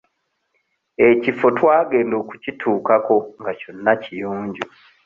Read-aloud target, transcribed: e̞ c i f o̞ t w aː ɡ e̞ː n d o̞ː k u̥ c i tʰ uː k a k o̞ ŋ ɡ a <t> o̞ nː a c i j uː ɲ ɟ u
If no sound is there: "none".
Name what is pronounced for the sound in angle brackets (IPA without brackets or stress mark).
c